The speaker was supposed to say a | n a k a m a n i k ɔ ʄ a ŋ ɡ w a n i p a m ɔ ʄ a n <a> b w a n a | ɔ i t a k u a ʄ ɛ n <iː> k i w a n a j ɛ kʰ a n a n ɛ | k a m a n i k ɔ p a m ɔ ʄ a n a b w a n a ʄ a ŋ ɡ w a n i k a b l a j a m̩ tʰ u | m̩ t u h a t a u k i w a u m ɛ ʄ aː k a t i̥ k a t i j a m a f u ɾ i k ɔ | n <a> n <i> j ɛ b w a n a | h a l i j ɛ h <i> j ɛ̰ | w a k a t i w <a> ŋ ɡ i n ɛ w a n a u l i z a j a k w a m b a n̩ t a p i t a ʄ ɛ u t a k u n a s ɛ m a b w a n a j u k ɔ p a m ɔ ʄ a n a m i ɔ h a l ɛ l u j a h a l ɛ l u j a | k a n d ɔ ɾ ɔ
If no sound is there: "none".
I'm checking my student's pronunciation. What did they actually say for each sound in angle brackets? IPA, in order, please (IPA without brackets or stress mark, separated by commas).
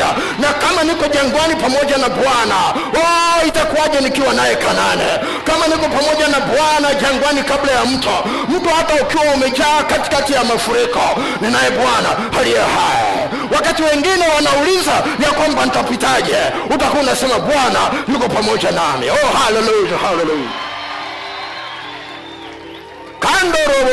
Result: a, i, i, a, a, ɛ